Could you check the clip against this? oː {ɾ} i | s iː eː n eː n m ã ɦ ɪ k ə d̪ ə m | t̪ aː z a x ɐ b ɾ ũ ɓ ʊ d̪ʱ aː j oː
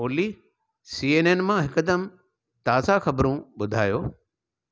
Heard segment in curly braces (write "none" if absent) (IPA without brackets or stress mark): l